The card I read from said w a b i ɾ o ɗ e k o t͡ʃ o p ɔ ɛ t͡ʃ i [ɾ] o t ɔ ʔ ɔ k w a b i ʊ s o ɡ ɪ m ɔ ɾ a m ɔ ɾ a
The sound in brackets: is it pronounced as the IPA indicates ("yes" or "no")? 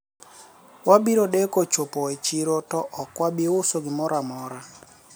yes